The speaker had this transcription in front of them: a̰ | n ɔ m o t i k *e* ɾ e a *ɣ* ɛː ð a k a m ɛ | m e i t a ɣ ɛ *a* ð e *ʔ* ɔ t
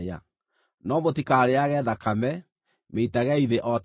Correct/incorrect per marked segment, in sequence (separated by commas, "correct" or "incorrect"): incorrect, correct, incorrect, correct